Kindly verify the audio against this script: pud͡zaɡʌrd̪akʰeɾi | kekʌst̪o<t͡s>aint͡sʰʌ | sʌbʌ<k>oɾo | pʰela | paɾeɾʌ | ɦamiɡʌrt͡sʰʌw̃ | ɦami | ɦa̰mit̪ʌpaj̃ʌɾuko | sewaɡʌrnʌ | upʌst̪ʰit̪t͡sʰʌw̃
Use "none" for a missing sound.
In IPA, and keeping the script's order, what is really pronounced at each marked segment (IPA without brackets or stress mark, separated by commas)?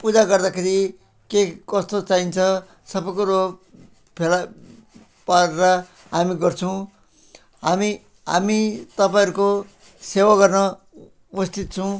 t͡s, k